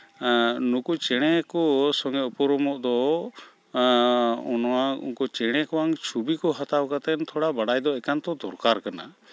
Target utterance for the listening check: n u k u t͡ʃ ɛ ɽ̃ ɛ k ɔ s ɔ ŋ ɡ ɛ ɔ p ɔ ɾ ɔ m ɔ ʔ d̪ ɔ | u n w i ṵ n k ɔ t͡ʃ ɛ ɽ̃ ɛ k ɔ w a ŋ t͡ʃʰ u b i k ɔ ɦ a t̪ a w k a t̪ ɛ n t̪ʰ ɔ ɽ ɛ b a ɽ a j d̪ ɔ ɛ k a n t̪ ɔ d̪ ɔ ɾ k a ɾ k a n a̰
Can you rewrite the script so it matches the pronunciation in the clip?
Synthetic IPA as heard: n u k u t͡ʃ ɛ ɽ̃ ɛ k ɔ s ɔ ŋ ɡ ɛ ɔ p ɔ ɾ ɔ m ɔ ʔ d̪ ɔ | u n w a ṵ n k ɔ t͡ʃ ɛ ɽ̃ ɛ k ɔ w a ŋ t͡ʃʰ u b i k ɔ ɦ a t̪ a w k a t̪ ɛ n t̪ʰ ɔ ɽ a b a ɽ a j d̪ ɔ ɛ k a n t̪ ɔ d̪ ɔ ɾ k a ɾ k a n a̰